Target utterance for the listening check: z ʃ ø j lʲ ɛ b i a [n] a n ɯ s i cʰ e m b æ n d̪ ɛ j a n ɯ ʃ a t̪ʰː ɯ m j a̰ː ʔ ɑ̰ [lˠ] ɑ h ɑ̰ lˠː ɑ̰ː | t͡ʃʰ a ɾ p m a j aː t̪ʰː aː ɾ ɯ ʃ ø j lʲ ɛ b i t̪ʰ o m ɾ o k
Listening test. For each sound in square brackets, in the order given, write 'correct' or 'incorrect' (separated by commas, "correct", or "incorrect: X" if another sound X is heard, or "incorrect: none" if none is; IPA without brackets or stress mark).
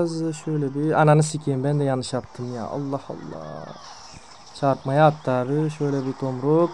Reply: correct, incorrect: lˠː